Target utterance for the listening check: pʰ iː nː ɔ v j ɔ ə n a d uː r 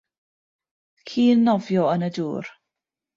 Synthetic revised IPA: kʰ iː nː ɔ v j ɔ ə n ə d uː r